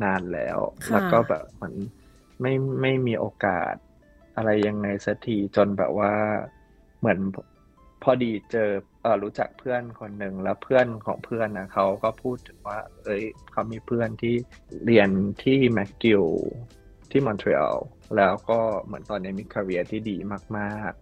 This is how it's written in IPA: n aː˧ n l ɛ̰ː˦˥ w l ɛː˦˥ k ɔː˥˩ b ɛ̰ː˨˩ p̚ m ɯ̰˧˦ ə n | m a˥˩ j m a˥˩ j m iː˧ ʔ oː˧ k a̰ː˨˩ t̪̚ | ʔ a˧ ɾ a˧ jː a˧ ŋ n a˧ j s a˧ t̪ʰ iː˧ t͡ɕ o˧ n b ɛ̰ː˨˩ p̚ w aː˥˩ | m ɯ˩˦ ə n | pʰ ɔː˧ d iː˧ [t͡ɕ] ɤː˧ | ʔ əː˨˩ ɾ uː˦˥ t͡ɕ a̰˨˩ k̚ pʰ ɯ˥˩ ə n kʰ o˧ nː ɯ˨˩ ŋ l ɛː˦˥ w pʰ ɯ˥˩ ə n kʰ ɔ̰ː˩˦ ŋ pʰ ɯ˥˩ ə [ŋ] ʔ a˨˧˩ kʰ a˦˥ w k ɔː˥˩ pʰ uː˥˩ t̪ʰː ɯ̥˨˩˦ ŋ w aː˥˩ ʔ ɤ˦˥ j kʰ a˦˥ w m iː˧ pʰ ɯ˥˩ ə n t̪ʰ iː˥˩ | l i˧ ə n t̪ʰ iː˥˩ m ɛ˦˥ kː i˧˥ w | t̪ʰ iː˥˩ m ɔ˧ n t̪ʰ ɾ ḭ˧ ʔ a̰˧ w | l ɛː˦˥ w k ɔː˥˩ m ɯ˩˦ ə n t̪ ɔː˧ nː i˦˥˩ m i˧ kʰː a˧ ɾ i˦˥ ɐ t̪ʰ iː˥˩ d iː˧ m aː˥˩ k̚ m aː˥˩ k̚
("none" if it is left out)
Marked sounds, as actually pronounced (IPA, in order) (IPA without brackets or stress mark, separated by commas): t͡ɕ, n